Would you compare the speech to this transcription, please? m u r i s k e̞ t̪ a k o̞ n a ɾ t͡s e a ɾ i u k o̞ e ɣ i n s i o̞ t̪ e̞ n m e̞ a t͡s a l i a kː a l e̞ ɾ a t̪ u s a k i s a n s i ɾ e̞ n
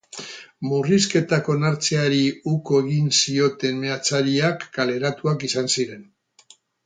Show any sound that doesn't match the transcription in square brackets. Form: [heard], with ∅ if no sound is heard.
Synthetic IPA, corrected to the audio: m u r i s k e̞ t̪ a k o̞ n a ɾ t͡s e a ɾ i u k o̞ e ɣ i n s i o̞ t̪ e̞ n m e̞ a t͡s a [ɾ] i a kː a l e̞ ɾ a t̪ u [∅] a k i s a n s i ɾ e̞ n